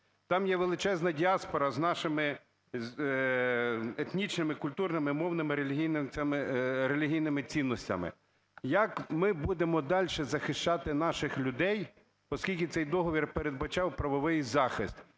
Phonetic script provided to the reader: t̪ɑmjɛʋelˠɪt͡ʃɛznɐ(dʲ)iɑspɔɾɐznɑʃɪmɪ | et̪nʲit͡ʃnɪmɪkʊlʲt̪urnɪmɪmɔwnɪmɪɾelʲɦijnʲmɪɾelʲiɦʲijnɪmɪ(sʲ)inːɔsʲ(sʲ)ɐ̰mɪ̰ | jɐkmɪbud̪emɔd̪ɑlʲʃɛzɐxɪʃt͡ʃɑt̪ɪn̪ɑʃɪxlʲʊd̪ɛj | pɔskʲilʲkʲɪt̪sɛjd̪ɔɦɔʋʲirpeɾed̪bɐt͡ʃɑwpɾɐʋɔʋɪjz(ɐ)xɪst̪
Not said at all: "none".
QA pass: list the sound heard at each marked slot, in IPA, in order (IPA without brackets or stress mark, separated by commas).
dʲ, t͡sʲ, tʲ, ɑ